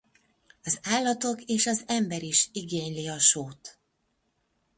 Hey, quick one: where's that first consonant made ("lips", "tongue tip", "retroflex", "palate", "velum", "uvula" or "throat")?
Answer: tongue tip